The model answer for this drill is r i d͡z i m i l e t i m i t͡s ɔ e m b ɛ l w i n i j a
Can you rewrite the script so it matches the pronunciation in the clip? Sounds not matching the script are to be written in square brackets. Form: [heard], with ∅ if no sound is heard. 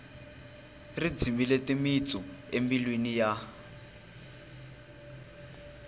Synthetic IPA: r i d͡z i m i l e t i m i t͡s ɔ e m b [i] l w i n i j a